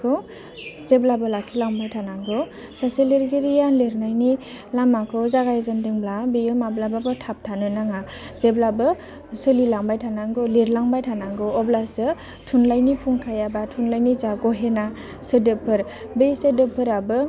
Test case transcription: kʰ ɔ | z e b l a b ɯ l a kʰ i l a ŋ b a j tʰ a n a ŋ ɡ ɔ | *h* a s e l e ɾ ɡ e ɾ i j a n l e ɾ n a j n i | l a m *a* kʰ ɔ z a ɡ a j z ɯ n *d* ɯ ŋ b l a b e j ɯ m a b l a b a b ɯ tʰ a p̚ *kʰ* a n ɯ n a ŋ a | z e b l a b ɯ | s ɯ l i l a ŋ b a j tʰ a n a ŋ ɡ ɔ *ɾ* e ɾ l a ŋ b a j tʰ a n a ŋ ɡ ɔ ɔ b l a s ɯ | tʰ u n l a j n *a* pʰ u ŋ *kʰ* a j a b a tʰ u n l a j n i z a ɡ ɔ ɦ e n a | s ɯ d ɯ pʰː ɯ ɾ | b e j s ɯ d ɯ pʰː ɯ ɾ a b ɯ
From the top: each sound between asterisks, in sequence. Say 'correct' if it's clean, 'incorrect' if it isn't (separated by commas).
incorrect, correct, correct, incorrect, incorrect, incorrect, correct